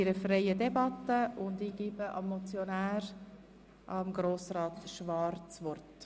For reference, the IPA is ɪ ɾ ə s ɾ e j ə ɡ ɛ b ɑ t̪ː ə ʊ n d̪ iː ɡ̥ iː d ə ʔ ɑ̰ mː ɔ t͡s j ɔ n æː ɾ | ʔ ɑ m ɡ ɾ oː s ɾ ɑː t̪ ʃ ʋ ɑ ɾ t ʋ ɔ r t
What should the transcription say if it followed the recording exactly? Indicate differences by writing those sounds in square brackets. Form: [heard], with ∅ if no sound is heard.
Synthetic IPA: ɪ ɾ ə [f] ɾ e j ə [d] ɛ b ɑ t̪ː ə ʊ n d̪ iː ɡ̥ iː [b] ə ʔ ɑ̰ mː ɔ t͡s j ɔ n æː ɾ | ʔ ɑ m ɡ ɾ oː s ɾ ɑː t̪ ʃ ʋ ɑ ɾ [t͡s] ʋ ɔ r t